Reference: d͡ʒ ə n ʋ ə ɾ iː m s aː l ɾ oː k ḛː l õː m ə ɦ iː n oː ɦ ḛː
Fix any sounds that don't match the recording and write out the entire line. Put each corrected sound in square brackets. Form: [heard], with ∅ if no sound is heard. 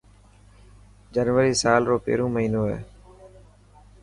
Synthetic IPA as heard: d͡ʒ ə n ʋ ə ɾ iː [∅] s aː l ɾ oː [p] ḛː [ɾ] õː m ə ɦ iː n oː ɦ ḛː